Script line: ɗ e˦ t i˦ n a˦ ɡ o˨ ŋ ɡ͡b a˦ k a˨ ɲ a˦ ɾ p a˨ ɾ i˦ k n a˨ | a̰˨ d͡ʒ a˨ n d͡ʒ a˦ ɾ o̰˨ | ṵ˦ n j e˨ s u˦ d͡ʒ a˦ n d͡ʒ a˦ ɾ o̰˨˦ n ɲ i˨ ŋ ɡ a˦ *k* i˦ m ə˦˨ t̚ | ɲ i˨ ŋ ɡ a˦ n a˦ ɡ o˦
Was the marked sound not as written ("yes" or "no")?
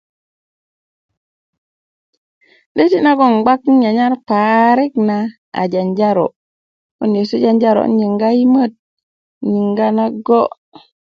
yes